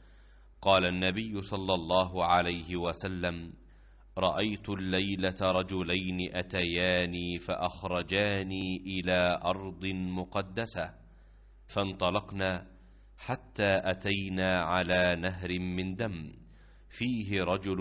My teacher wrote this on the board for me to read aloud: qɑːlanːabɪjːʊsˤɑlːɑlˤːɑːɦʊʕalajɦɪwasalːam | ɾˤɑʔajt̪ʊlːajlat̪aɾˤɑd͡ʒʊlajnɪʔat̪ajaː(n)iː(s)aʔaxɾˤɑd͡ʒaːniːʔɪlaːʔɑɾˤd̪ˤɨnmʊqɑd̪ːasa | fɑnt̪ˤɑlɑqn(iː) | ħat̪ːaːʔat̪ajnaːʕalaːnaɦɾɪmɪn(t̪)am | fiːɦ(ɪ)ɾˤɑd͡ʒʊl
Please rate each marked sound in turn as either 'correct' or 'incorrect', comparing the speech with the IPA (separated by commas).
correct, incorrect, incorrect, incorrect, correct